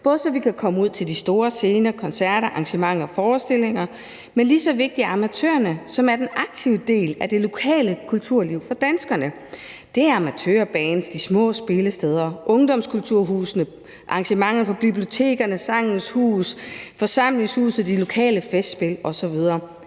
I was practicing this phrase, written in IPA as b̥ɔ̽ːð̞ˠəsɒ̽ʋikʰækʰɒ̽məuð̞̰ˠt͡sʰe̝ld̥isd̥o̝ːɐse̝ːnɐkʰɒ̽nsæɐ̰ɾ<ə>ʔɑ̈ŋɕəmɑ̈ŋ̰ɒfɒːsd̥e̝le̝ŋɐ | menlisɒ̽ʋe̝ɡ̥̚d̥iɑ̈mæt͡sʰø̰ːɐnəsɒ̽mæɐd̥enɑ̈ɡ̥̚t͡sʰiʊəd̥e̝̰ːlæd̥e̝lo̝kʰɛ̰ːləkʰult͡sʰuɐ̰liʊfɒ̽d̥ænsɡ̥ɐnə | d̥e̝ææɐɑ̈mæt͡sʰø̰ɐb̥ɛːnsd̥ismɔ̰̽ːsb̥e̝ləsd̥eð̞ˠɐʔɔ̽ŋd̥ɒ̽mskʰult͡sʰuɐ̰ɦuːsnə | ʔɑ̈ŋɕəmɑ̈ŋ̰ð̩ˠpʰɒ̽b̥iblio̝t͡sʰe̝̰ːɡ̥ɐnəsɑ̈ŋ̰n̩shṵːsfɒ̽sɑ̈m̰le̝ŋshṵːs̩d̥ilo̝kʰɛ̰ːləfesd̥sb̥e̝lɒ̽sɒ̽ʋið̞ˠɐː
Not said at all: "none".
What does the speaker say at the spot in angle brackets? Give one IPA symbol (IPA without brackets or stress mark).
ɐ